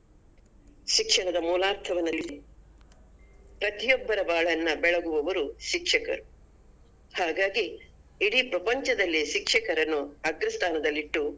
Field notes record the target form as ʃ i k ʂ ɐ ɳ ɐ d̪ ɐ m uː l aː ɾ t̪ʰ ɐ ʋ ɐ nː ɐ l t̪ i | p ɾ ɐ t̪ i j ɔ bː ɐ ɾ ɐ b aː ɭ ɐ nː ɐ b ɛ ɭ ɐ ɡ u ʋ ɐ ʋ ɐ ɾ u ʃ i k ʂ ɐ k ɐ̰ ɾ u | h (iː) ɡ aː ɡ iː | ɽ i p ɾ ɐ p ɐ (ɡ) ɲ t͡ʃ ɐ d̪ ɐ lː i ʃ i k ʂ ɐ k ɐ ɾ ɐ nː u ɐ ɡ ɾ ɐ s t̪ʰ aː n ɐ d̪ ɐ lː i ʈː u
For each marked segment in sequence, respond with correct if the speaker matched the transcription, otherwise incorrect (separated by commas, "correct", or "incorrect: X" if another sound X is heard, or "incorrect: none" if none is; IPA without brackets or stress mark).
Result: incorrect: aː, incorrect: none